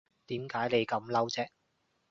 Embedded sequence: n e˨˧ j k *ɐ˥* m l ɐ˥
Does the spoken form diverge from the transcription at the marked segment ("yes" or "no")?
yes